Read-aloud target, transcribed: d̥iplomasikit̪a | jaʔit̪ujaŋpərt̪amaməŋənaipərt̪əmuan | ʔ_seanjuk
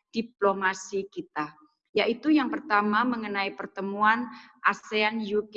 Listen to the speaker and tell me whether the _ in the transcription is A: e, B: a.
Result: B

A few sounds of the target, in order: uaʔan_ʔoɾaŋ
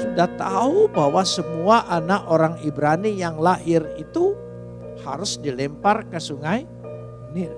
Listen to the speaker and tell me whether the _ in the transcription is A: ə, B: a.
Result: B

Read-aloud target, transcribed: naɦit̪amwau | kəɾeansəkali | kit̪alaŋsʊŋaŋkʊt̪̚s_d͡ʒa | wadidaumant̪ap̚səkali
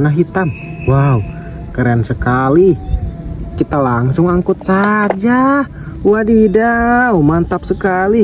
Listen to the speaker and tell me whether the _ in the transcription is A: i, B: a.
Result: B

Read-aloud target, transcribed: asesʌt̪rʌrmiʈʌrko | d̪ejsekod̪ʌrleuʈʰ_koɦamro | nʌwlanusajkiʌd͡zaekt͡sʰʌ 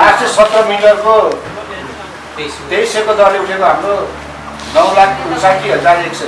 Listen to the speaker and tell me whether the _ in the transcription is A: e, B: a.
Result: A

